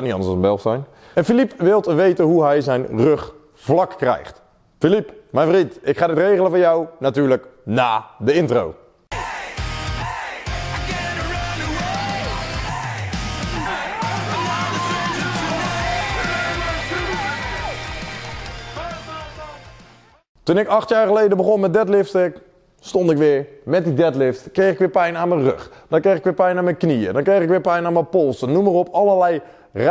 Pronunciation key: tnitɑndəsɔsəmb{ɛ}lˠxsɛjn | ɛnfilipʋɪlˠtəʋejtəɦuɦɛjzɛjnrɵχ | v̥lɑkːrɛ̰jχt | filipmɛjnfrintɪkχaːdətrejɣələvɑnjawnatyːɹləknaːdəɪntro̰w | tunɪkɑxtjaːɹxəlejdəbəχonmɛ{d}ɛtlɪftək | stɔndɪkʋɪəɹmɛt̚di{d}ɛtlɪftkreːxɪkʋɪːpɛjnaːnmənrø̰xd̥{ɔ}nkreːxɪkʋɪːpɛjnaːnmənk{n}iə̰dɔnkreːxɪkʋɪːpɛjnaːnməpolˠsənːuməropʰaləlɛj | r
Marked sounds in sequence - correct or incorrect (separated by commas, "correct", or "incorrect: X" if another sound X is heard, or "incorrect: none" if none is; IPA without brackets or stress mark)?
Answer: correct, correct, correct, correct, correct